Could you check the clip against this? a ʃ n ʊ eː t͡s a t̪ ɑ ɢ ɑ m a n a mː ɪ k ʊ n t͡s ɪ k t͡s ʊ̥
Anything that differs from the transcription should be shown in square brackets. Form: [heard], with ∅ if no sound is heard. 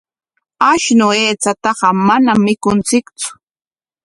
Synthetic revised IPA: a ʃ n ʊ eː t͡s a t̪ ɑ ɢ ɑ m a n a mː ɪ k ʊ n t͡s ɪ k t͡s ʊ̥